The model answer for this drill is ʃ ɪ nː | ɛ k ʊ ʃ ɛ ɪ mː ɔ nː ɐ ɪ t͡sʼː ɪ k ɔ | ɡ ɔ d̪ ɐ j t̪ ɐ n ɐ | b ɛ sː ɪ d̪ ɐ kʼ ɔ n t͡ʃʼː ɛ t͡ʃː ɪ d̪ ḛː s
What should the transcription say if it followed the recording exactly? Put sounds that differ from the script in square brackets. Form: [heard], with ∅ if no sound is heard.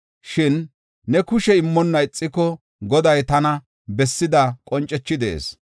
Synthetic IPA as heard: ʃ ɪ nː | ɛ k ʊ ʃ ɛ ɪ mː ɔ nː ɐ ɪ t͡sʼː ɪ k ɔ | ɡ ɔ d̪ ɐ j t̪ ɐ n ɐ | b ɛ sː ɪ d̪ ɐ kʼ ɔ n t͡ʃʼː ɛ t͡ʃː ɪ d̪ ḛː s